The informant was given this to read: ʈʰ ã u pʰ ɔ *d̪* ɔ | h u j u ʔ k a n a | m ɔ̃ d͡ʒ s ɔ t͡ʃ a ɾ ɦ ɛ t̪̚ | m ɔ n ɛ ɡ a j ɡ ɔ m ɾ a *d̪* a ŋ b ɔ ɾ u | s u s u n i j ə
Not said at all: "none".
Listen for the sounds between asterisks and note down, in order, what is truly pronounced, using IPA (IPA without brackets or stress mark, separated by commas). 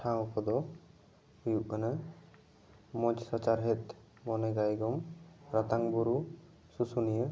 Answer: d̪, t̪